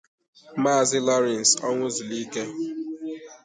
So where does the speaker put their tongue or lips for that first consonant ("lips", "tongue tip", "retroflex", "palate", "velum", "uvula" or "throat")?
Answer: lips